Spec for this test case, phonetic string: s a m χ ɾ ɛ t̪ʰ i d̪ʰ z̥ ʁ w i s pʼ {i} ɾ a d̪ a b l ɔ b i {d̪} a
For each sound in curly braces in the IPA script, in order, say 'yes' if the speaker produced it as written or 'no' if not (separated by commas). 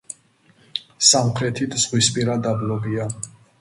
yes, no